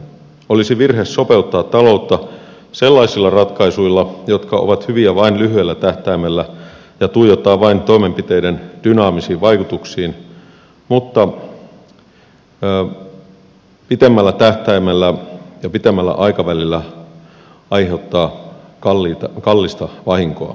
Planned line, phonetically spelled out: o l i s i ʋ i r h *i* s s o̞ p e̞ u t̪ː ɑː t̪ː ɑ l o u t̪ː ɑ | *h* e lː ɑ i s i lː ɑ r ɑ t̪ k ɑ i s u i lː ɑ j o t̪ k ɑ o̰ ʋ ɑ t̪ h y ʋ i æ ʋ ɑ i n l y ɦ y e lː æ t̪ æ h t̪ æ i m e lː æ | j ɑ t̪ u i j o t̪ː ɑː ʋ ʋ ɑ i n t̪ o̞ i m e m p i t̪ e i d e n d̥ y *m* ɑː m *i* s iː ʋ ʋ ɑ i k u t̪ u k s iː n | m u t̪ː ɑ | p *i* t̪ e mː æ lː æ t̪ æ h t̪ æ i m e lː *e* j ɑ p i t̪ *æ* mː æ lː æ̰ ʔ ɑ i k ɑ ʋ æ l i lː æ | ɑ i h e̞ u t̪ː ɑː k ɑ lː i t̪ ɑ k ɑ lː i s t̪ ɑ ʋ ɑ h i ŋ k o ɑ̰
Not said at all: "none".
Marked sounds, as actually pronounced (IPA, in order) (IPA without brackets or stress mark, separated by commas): e, s, n, i, i, æ, e